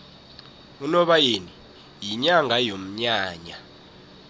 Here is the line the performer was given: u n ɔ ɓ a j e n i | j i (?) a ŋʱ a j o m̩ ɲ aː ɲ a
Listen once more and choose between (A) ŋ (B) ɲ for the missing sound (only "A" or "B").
B